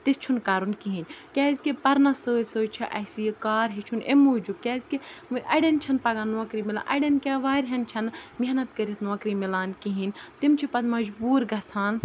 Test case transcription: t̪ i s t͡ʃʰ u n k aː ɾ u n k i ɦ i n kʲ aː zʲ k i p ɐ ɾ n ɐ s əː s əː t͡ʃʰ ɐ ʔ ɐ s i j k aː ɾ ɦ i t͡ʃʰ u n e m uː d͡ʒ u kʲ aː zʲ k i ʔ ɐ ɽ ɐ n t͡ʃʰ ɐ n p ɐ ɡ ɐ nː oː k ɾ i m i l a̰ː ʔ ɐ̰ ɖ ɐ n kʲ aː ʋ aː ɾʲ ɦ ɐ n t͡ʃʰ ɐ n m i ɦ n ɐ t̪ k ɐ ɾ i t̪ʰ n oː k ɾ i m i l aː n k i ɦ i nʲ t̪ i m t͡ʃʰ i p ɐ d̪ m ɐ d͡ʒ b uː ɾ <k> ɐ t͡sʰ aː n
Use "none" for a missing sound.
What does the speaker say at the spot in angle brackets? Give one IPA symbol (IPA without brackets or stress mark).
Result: ɡ